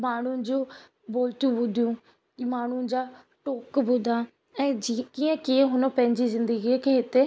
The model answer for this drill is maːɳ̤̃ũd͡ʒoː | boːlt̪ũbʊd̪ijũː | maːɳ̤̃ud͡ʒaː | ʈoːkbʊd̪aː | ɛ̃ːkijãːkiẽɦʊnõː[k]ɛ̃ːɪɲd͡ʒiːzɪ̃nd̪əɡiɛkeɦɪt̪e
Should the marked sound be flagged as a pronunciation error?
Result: yes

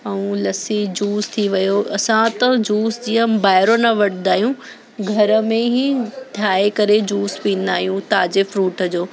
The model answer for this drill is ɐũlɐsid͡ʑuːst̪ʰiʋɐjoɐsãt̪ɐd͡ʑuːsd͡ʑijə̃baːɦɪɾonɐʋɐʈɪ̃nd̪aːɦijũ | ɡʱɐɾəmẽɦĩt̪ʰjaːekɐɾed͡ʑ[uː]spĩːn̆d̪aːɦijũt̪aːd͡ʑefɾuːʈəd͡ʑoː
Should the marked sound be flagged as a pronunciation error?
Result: no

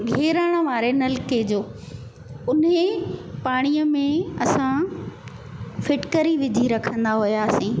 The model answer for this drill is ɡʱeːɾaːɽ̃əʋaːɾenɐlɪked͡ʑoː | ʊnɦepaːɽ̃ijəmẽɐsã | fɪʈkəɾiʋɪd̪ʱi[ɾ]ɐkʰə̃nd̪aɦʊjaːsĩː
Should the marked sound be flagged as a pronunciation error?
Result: no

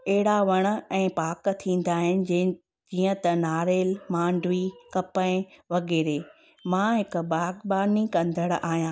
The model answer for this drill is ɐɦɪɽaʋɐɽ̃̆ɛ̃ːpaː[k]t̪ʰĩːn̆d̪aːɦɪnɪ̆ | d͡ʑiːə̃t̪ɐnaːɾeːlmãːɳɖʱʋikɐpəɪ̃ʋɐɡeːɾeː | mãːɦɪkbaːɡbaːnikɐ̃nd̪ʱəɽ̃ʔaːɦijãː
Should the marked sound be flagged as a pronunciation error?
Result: no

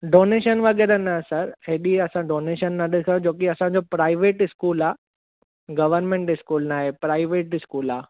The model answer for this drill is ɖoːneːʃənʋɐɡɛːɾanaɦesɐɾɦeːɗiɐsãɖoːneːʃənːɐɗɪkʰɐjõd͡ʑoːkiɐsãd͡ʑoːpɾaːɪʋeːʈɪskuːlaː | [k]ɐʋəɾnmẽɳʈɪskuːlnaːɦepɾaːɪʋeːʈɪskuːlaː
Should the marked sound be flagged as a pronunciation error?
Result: yes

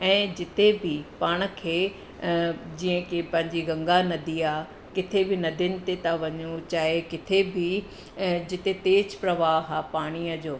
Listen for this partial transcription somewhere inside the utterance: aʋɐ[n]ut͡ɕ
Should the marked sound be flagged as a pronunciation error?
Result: yes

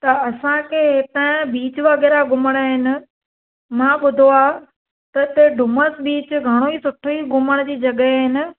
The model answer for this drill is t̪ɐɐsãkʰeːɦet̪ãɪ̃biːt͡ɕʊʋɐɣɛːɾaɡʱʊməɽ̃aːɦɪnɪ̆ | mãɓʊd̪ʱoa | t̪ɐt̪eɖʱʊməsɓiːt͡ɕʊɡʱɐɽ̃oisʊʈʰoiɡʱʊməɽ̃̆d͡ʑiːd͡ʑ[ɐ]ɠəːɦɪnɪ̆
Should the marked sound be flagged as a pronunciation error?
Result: no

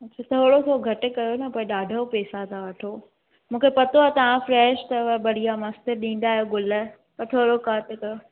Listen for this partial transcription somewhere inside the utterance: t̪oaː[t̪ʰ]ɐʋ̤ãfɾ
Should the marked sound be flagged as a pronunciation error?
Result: yes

